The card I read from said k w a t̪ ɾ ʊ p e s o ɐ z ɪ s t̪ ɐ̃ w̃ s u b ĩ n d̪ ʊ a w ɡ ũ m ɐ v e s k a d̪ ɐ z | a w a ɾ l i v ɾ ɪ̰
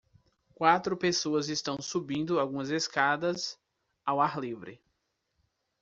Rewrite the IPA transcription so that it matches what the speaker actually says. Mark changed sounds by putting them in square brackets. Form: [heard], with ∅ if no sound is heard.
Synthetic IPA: k w a t̪ ɾ ʊ p e s o ɐ z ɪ s t̪ ɐ̃ w̃ s u b ĩ n d̪ ʊ a w ɡ ũ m ɐ [z] e s k a d̪ ɐ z | a w a ɾ l i v ɾ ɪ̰